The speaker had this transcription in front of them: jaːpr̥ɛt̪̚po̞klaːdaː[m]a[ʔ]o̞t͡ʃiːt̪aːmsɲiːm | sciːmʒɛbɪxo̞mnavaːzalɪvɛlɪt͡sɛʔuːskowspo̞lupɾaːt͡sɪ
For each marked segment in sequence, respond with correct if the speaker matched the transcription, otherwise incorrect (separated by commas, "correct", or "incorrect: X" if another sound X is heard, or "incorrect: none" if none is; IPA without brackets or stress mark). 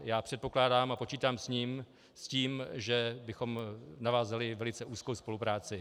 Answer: correct, incorrect: p